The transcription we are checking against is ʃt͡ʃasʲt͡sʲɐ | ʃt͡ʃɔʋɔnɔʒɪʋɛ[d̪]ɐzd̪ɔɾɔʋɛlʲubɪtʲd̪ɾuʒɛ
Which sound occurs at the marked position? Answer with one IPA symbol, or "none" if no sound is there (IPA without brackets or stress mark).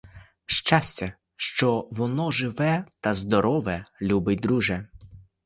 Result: t̪